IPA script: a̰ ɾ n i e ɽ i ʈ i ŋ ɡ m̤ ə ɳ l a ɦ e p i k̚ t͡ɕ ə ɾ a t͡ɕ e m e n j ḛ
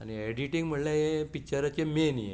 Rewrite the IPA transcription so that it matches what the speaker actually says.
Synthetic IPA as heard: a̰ n i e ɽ i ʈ i ŋ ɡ m̤ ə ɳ l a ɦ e p i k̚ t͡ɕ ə ɾ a t͡ɕ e m e n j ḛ